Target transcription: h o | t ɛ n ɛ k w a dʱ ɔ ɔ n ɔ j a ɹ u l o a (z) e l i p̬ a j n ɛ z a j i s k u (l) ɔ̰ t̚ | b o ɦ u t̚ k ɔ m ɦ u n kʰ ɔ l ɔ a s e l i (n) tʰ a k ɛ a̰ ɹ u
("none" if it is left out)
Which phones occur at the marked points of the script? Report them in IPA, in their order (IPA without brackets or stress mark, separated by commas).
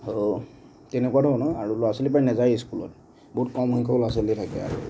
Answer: s, l, none